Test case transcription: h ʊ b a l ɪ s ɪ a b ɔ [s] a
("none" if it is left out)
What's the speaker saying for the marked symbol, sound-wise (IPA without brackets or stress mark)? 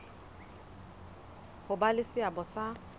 s